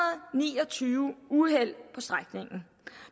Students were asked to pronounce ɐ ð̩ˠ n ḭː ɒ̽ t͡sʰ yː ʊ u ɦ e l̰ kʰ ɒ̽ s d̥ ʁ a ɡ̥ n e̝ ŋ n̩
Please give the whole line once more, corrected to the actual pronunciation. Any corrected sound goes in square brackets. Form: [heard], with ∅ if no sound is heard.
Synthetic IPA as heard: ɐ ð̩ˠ n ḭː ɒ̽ t͡sʰ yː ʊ u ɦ e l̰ [pʰ] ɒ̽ s d̥ ʁ a ɡ̥ n e̝ ŋ n̩